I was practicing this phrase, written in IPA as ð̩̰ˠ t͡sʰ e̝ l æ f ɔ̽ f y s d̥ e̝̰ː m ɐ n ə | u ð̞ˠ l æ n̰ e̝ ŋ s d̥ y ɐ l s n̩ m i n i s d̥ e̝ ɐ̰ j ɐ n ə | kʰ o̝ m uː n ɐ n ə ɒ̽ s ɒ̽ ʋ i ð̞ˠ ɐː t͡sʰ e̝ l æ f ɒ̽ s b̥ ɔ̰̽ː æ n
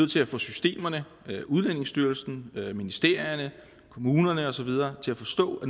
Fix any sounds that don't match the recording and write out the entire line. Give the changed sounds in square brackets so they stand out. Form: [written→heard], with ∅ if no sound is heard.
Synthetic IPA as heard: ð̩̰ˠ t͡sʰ e̝ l æ f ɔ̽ [f→s] y s d̥ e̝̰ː m ɐ n ə | u ð̞ˠ l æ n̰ e̝ ŋ s d̥ y ɐ l s n̩ m i n i s d̥ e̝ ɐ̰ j ɐ n ə | kʰ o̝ m uː n ɐ n ə ɒ̽ s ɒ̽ ʋ i ð̞ˠ ɐː t͡sʰ e̝ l æ f ɒ̽ s [b̥→d̥] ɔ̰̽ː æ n

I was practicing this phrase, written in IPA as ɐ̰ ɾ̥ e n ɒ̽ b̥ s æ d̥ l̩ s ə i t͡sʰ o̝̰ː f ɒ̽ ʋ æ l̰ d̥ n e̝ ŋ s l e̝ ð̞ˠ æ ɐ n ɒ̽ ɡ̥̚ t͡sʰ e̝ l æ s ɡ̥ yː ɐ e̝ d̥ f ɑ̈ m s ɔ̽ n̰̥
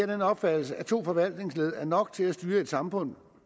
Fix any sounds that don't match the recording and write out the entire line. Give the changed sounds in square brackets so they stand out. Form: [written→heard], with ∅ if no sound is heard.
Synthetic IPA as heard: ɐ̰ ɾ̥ e n ɒ̽ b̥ [s→f] æ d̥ l̩ s ə [i→æ] t͡sʰ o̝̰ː f ɒ̽ ʋ æ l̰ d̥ n e̝ ŋ s l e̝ ð̞ˠ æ ɐ n ɒ̽ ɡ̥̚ t͡sʰ e̝ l æ s [ɡ̥→d̥] yː ɐ e̝ d̥ [f→s] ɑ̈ m [s→f] ɔ̽ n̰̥

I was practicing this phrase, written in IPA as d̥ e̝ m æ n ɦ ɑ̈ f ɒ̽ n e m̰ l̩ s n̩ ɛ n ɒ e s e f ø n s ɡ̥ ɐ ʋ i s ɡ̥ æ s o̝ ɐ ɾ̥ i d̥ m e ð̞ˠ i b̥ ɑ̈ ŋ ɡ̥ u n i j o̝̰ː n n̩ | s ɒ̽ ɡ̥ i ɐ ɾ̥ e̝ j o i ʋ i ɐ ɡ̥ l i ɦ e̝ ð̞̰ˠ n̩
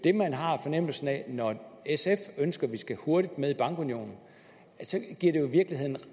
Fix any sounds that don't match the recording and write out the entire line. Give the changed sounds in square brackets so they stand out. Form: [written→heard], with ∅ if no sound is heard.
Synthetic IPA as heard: d̥ e̝ m æ n ɦ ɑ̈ f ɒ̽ n e m̰ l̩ s n̩ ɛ n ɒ e s e f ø n s ɡ̥ ɐ ʋ i s ɡ̥ æ [s→h] o̝ ɐ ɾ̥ i d̥ m e ð̞ˠ i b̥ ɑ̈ ŋ ɡ̥ u n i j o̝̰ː n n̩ | s ɒ̽ ɡ̥ i ɐ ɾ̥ e̝ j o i ʋ i ɐ ɡ̥ l i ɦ e̝ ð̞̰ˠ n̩

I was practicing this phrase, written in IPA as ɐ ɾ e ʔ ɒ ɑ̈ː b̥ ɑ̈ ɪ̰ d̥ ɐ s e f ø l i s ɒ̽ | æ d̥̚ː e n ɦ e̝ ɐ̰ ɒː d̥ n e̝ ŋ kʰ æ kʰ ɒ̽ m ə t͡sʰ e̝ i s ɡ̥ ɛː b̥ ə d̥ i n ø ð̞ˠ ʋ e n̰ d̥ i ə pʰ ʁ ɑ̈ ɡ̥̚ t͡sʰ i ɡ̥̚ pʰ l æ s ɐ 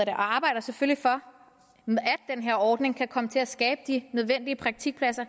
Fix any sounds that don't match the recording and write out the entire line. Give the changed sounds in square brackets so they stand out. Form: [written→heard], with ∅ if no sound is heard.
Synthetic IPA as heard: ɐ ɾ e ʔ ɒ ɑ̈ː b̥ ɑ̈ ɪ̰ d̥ ɐ s e f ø l i [s→f] ɒ̽ | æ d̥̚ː e n ɦ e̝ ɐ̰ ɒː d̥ n e̝ ŋ kʰ æ kʰ ɒ̽ m ə t͡sʰ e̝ [i→æ] s ɡ̥ ɛː b̥ ə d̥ i n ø ð̞ˠ ʋ e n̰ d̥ i ə pʰ ʁ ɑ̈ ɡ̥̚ t͡sʰ i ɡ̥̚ pʰ l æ s ɐ

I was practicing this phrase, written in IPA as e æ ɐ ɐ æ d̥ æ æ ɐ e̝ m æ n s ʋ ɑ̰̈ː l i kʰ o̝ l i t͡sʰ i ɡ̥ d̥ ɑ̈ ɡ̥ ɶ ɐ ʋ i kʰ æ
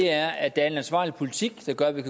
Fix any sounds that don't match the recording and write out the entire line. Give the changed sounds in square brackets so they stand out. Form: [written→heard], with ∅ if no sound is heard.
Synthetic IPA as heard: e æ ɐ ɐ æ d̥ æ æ ɐ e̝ [m→n] æ n s ʋ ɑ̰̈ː l i [kʰ→pʰ] o̝ l i t͡sʰ i ɡ̥ d̥ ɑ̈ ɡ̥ ɶ ɐ ʋ i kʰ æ

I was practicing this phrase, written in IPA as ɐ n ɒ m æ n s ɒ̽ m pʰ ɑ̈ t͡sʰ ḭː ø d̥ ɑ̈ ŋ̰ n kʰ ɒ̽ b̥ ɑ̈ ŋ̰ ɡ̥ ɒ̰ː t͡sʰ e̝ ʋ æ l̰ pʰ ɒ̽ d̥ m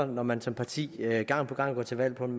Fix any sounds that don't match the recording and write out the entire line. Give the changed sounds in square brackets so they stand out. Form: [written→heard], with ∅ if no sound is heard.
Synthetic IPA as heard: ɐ n ɒ m æ n s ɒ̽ m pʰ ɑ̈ t͡sʰ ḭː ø [d̥→ɡ̥] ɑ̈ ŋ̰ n [kʰ→pʰ] ɒ̽ [b̥→ɡ̥] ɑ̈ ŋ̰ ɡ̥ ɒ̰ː t͡sʰ e̝ ʋ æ l̰ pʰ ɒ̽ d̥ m

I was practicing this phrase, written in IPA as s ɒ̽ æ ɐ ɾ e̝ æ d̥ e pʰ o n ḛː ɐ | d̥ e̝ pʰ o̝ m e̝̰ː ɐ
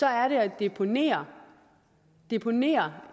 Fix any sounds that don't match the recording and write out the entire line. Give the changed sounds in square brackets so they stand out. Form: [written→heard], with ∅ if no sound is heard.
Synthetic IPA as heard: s ɒ̽ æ ɐ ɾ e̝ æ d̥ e pʰ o n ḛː ɐ | d̥ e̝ pʰ o̝ [m→n] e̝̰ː ɐ

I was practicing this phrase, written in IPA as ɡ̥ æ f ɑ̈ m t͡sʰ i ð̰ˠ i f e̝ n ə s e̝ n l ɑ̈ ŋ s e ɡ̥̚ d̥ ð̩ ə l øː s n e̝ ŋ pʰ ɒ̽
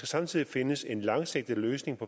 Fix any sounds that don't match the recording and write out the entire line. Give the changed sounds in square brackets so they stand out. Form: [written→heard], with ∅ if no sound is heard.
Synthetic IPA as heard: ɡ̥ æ [f→s] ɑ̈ m t͡sʰ i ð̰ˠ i f e̝ n ə s e̝ n l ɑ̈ ŋ s e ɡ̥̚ d̥ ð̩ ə l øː s n e̝ ŋ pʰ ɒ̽

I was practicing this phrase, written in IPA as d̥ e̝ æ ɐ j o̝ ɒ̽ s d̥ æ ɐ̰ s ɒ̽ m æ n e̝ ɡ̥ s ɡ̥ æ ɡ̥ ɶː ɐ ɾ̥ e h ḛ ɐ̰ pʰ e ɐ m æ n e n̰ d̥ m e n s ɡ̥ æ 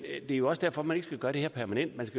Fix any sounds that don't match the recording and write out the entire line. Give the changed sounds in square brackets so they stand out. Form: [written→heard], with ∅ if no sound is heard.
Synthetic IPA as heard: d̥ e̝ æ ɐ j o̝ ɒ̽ s d̥ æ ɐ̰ [s→f] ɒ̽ m æ n e̝ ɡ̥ s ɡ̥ æ ɡ̥ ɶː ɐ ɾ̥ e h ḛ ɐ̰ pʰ [e→æ] ɐ m æ n e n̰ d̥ m [e→æ] n s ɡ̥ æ

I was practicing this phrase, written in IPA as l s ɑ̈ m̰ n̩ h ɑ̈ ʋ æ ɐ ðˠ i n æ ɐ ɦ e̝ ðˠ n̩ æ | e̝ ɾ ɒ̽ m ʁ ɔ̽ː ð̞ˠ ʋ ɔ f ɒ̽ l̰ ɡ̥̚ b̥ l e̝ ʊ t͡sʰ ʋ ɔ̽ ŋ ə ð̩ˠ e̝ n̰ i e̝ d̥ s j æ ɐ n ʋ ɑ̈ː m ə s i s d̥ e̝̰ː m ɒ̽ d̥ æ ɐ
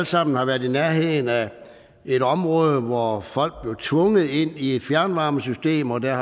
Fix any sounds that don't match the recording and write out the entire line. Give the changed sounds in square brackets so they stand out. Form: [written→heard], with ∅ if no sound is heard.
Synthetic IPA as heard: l s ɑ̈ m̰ n̩ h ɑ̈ ʋ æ ɐ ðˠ i n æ ɐ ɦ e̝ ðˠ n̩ æ | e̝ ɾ ɒ̽ m ʁ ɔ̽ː ð̞ˠ ʋ [ɔ→ɒ] f ɒ̽ l̰ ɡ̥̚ b̥ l e̝ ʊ t͡sʰ ʋ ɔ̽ ŋ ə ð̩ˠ e̝ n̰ i e̝ d̥ [s→f] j æ ɐ n ʋ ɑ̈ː m ə s [i→y] s d̥ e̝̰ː m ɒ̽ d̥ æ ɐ

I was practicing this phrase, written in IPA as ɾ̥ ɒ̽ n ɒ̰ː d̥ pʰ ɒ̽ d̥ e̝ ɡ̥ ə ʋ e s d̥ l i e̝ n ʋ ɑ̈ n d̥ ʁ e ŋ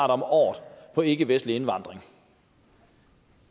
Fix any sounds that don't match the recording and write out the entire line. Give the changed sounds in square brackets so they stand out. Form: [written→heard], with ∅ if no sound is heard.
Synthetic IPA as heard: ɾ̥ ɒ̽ [n→m] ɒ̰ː d̥ pʰ ɒ̽ [d̥→∅] e̝ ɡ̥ ə ʋ e s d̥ l i e̝ n ʋ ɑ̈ n d̥ ʁ e ŋ

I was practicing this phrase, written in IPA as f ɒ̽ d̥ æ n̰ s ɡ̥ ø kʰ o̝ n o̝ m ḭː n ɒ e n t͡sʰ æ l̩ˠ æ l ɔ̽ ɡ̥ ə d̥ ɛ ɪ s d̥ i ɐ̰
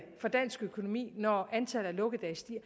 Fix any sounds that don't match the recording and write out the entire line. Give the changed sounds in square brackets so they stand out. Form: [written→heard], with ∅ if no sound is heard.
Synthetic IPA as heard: f ɒ̽ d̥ æ n̰ s ɡ̥ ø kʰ o̝ n o̝ m ḭː n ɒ [e→æ] n t͡sʰ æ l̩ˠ æ l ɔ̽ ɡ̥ ə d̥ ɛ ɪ s d̥ i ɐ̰

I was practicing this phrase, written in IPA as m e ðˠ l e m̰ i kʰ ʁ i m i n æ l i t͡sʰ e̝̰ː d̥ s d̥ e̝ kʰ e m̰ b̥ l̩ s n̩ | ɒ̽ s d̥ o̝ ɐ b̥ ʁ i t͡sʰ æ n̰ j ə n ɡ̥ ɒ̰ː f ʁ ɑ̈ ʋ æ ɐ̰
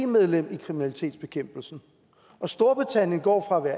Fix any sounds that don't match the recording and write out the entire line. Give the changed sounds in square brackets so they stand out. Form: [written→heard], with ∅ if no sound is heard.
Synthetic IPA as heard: m e ðˠ l e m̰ i kʰ ʁ i m i n æ l i t͡sʰ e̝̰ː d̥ s [d̥→b̥] e̝ kʰ e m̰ b̥ l̩ s n̩ | ɒ̽ s d̥ o̝ ɐ b̥ ʁ i t͡sʰ æ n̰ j ə n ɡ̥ ɒ̰ː f ʁ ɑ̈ ʋ æ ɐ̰

